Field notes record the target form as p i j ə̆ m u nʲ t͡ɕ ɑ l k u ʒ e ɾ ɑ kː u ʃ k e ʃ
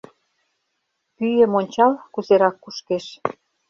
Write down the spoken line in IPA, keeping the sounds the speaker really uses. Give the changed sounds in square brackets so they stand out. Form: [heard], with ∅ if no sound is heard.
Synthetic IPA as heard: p [y] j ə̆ m [o] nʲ t͡ɕ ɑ l k u [z] e ɾ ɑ kː u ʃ k e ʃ